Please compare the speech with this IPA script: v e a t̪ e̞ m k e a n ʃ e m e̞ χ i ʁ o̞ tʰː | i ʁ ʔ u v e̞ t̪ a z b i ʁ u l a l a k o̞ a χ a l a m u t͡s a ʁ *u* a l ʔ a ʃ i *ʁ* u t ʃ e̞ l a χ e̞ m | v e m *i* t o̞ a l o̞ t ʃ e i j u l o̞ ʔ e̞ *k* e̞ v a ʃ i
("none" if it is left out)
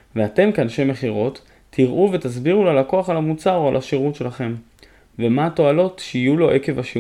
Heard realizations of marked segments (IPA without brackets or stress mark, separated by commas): o, ʁ, a, k